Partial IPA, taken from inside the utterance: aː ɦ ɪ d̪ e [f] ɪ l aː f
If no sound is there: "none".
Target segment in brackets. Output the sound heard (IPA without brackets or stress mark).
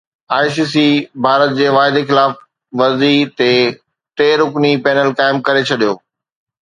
x